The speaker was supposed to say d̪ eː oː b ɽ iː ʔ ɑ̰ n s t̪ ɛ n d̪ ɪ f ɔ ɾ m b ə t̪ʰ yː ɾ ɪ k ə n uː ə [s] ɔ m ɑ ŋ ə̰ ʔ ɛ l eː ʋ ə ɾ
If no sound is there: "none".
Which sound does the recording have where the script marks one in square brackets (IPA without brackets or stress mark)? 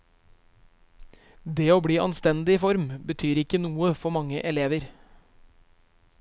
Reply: f